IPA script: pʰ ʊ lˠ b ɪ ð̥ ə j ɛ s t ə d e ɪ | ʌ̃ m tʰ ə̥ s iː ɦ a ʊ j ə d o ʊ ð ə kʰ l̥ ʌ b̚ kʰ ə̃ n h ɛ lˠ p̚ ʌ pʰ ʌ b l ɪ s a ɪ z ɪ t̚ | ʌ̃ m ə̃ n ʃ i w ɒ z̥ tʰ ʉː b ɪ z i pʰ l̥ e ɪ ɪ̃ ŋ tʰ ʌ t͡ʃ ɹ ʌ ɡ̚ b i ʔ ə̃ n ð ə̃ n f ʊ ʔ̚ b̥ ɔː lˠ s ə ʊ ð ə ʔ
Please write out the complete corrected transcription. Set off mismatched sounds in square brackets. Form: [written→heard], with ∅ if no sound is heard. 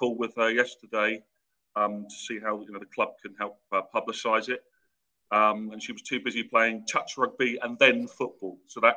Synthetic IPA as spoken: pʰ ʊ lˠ [b→w] ɪ ð̥ ə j ɛ s t ə d e ɪ | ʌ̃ m tʰ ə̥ s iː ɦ a ʊ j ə [d→n] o ʊ ð ə kʰ l̥ ʌ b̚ kʰ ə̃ n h ɛ lˠ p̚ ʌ pʰ ʌ b l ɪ s a ɪ z ɪ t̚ | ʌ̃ m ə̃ n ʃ i w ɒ z̥ tʰ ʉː b ɪ z i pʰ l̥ e ɪ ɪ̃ ŋ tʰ ʌ t͡ʃ ɹ ʌ ɡ̚ b i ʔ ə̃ n ð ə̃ n f ʊ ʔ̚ b̥ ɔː lˠ s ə ʊ ð ə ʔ